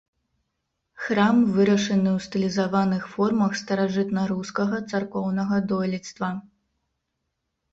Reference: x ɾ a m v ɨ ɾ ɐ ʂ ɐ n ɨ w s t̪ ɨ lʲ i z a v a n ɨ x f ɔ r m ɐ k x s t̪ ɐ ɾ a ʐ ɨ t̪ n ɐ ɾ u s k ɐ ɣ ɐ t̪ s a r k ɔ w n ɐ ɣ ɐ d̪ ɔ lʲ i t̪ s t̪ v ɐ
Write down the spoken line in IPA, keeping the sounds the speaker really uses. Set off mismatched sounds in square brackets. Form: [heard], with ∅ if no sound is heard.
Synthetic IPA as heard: x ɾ a m v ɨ ɾ ɐ ʂ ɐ n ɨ w s t̪ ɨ lʲ i z a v a n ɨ x f ɔ r m ɐ [∅] x s t̪ ɐ ɾ a ʐ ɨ t̪ n ɐ ɾ u s k ɐ ɣ ɐ t̪ s a r k ɔ w n ɐ ɣ ɐ d̪ ɔ lʲ i t̪ s t̪ v ɐ